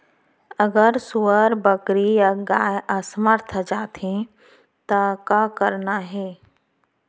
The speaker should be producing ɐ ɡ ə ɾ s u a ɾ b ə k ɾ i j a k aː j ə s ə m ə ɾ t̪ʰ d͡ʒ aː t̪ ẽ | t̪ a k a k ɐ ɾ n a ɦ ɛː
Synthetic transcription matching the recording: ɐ ɡ ə ɾ s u ə ɾ b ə k ɾ i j a ɡ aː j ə s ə m ə ɾ t̪ʰ d͡ʒ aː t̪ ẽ | t̪ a k a k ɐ ɾ n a ɦ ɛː